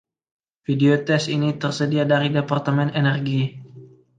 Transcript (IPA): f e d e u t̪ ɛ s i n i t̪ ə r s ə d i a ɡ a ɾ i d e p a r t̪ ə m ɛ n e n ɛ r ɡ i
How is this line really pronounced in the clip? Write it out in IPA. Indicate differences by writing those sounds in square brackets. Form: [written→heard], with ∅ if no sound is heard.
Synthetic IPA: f [e→i] d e [u→o] t̪ ɛ s i n i t̪ ə r s ə d i a [ɡ→d] a ɾ i d e p a r t̪ ə m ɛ n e n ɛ r ɡ i